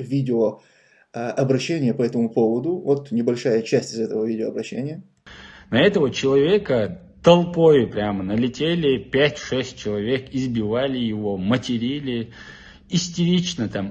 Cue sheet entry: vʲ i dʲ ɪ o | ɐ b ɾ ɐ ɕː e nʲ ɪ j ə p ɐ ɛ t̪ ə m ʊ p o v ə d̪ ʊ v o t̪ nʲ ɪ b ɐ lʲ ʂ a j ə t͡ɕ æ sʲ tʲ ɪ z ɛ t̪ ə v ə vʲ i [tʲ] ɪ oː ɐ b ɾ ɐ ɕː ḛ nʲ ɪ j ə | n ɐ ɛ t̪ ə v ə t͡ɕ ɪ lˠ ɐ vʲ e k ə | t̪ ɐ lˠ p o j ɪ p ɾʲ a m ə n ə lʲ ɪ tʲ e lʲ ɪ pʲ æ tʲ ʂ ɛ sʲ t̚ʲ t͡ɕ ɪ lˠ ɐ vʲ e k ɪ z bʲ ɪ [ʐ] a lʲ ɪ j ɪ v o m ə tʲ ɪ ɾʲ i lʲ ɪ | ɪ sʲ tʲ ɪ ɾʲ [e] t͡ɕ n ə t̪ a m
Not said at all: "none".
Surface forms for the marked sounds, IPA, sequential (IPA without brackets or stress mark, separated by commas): dʲ, v, i